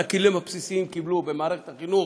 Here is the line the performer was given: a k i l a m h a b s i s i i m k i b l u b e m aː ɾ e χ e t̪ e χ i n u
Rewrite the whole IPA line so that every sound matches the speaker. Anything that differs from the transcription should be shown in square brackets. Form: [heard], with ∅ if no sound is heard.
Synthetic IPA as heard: a k i l [i] m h a [p] s i s i i m k i b l u b e m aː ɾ e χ e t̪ [a] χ i n u